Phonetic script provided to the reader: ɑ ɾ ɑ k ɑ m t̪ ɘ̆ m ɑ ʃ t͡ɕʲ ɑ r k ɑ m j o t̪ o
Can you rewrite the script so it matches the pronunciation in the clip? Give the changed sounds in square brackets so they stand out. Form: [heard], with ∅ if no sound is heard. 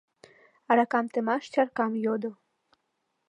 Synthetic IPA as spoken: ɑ ɾ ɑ k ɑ m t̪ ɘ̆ m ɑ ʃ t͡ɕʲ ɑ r k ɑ m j o [d̪] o